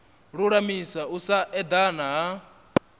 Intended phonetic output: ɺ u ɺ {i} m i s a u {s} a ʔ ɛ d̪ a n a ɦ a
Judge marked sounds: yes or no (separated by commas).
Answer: no, yes